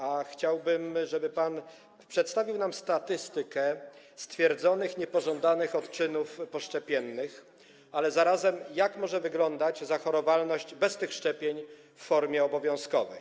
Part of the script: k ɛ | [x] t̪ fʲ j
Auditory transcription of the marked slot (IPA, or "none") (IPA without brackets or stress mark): s